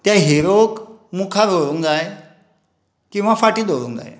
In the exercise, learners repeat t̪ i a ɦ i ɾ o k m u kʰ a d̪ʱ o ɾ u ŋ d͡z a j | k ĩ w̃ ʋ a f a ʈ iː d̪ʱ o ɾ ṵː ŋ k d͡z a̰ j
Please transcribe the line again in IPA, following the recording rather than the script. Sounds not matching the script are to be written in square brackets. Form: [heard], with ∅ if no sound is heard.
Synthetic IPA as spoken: t̪ [j] a ɦ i ɾ o k m u kʰ a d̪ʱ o ɾ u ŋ d͡z a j | k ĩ w̃ ʋ a f a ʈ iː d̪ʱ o ɾ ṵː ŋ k d͡z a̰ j